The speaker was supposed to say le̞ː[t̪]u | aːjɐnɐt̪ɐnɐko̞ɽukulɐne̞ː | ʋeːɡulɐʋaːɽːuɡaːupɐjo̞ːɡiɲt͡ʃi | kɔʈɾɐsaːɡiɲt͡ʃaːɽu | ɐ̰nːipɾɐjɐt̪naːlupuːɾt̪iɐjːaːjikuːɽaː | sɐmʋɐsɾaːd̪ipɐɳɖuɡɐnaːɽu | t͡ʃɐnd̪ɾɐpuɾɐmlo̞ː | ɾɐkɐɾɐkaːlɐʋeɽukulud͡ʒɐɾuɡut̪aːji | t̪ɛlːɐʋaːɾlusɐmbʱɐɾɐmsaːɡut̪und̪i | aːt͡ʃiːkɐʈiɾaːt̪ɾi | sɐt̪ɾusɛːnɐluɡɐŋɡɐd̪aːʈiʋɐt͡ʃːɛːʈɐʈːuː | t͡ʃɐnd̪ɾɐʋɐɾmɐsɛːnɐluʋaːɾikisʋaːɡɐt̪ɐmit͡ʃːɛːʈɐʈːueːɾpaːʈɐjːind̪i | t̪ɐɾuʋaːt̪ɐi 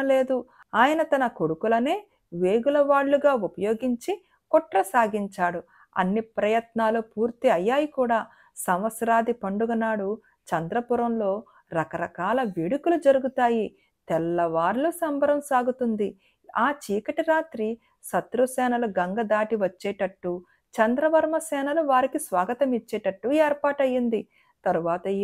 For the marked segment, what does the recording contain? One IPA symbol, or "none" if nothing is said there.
d̪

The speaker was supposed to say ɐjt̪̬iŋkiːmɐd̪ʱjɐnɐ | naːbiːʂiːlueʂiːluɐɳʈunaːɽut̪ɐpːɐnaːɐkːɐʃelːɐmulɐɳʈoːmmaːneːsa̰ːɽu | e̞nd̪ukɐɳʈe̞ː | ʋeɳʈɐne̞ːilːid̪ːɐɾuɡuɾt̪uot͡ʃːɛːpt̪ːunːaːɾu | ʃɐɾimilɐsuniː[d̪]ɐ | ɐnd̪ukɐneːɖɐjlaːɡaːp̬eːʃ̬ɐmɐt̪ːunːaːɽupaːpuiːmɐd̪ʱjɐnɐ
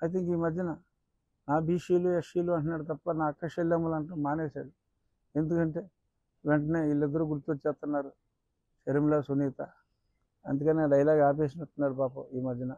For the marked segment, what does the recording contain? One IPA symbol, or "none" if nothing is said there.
t̪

